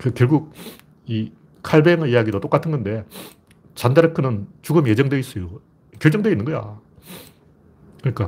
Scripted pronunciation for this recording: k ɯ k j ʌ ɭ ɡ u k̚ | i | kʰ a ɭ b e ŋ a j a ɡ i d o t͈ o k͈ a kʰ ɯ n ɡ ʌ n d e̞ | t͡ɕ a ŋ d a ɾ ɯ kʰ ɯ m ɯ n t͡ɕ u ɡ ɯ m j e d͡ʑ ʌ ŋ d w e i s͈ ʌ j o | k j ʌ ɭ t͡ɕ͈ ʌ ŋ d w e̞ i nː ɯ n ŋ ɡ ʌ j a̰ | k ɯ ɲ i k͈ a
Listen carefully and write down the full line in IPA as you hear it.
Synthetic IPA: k ɯ k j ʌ ɭ ɡ u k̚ | i | kʰ a ɭ b e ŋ i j a ɡ i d o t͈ o k͈ a tʰ ɯ n ɡ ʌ n d e̞ | t͡ɕ a n d a ɾ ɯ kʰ ɯ n ɯ n t͡ɕ u ɡ ɯ m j e d͡ʑ ʌ ŋ d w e i s͈ ʌ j o | k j ʌ ɭ t͡ɕ͈ ʌ ŋ d w e̞ i nː ɯ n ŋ ɡ ʌ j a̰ | k ɯ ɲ i k͈ a